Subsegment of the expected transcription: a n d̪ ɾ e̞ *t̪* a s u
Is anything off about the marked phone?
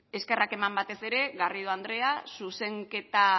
yes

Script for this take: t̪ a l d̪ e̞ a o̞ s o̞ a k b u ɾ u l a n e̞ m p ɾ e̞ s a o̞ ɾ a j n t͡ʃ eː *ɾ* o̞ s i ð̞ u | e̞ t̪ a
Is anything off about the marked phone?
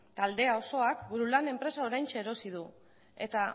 no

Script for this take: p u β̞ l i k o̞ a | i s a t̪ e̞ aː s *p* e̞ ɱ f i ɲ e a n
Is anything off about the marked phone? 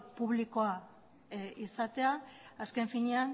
yes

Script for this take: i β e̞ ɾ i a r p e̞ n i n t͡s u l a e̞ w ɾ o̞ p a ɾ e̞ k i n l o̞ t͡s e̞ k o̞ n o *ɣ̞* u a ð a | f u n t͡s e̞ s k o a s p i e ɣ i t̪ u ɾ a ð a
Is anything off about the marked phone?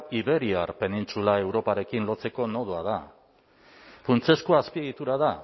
yes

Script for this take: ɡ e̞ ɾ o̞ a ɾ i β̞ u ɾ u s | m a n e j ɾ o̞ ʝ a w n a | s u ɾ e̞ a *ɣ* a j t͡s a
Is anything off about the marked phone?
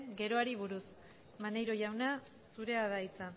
yes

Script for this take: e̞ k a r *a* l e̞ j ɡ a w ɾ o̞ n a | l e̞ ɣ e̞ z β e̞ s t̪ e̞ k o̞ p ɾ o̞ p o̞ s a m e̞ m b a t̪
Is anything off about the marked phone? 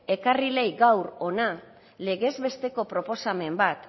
yes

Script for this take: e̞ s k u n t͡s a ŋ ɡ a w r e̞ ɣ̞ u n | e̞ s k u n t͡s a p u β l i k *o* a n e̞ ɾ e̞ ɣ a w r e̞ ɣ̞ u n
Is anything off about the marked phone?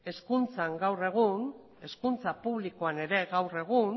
no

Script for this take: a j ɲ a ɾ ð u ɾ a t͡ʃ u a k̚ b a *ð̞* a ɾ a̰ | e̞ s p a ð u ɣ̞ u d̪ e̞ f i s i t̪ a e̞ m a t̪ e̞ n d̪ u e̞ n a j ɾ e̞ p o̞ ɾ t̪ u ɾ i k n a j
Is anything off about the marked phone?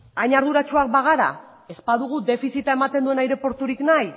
yes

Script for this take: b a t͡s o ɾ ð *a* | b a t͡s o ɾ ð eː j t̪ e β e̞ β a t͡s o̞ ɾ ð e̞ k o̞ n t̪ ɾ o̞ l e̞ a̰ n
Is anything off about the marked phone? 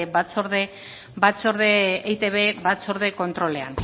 yes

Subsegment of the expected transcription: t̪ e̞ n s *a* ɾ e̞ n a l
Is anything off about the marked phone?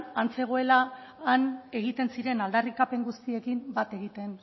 yes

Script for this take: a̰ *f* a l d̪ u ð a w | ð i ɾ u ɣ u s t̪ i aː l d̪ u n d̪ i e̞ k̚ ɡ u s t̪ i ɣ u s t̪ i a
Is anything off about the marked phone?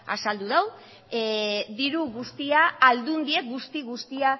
yes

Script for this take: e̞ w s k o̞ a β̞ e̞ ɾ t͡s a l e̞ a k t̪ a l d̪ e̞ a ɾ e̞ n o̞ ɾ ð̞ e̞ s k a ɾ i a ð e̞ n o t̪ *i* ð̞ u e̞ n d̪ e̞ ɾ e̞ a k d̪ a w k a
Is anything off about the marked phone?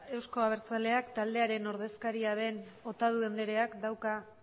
yes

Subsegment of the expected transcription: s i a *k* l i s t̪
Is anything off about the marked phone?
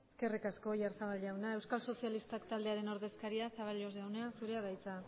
yes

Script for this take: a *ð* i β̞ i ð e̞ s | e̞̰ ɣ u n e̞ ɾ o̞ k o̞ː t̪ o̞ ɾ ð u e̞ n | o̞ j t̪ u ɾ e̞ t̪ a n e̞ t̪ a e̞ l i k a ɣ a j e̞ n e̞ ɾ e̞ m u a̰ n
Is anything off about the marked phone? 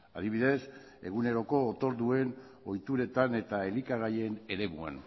no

